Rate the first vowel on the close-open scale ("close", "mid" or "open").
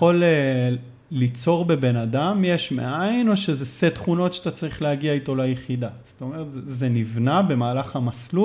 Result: mid